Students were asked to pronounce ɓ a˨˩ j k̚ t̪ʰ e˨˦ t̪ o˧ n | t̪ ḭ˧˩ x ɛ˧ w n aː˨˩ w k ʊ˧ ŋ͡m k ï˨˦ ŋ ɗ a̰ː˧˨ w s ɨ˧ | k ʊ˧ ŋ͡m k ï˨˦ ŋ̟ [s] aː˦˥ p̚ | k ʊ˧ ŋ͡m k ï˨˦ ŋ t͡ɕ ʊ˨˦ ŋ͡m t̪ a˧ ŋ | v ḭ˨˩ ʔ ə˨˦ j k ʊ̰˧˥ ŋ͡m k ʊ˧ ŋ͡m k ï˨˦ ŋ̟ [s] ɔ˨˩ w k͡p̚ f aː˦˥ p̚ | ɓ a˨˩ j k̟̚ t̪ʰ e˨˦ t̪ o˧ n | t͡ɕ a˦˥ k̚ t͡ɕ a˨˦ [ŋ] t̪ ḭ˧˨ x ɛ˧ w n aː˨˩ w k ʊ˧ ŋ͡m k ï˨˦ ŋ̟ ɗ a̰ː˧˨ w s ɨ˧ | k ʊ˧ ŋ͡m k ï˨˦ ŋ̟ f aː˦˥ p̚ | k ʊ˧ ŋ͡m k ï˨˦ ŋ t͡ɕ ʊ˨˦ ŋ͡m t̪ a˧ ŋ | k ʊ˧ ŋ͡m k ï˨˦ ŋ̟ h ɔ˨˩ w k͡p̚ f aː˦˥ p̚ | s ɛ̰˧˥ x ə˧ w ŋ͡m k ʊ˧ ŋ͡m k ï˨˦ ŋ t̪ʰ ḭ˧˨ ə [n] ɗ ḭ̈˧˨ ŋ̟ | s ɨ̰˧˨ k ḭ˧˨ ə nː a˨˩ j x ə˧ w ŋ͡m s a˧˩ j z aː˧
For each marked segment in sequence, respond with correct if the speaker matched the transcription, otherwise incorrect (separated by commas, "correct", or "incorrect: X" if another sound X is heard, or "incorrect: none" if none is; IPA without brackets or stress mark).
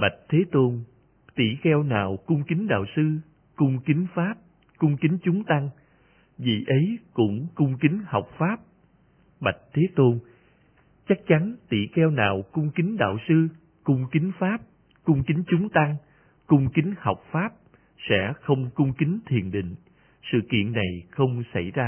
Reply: incorrect: f, incorrect: h, incorrect: n, correct